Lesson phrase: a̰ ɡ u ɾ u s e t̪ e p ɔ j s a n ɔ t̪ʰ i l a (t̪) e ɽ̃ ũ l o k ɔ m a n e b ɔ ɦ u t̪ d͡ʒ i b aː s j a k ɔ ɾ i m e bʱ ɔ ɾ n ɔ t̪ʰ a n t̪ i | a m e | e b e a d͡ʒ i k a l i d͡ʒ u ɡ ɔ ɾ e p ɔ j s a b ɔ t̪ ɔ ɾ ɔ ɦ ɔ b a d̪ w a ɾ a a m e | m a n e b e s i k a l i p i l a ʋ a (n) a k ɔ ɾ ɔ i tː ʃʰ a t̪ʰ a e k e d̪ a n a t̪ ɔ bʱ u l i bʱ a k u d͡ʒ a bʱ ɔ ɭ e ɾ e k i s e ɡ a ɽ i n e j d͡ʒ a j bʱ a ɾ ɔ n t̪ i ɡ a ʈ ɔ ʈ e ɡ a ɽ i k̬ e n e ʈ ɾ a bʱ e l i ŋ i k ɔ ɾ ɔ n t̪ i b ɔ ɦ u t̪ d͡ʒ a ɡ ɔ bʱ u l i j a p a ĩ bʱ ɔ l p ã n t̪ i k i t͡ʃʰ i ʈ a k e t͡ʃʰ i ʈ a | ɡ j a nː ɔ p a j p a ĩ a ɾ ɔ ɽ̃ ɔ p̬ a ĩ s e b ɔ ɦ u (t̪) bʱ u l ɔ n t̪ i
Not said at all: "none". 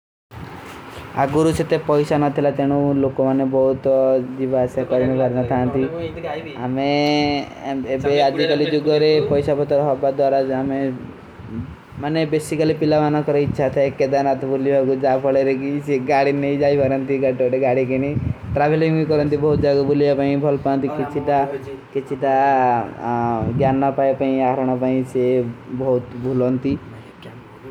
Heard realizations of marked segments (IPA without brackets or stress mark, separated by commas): t̪, n, t̪